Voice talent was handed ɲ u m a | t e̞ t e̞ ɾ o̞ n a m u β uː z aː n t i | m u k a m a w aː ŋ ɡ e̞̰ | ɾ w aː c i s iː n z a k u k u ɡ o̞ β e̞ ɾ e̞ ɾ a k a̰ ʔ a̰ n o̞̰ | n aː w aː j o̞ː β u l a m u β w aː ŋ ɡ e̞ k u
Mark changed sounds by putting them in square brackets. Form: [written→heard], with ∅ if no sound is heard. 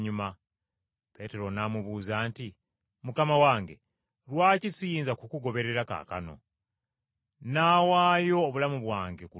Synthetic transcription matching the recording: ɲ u m a | [t→p] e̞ t e̞ ɾ o̞ n a m u β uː z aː n t i | m u k a m a w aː ŋ ɡ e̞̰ | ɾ w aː c i s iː n z a k u k u ɡ o̞ β e̞ ɾ e̞ ɾ a k a̰ [ʔ→k] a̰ n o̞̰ | n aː w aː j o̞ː β u l a m u β w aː ŋ ɡ e̞ k u